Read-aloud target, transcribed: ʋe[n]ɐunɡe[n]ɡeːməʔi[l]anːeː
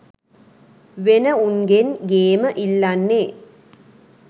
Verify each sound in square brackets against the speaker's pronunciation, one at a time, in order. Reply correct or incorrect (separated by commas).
correct, correct, incorrect